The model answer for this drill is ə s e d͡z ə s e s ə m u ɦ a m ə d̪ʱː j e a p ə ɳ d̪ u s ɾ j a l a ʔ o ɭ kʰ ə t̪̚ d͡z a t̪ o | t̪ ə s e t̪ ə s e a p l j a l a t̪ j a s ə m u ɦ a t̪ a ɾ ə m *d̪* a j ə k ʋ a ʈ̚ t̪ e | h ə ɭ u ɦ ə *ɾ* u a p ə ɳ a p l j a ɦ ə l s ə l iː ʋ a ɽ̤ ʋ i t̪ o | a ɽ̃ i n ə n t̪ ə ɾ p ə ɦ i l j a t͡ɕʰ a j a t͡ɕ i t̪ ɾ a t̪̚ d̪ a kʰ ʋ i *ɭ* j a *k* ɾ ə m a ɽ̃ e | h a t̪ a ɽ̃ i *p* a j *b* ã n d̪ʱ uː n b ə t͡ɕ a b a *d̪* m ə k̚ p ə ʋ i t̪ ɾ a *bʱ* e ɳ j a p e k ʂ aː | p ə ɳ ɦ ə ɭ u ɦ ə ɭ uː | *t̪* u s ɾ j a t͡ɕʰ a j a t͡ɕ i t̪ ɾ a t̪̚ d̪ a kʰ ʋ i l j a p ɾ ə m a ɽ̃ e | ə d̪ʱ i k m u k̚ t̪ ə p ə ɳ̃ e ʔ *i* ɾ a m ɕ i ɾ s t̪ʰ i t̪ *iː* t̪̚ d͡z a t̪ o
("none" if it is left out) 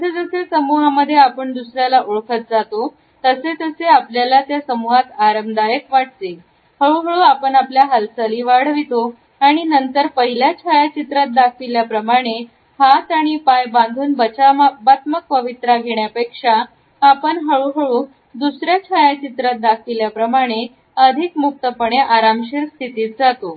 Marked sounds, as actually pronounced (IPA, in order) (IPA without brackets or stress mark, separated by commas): d̪, ɭ, l, p, p, b, t̪, ɡʱ, d̪, a, iː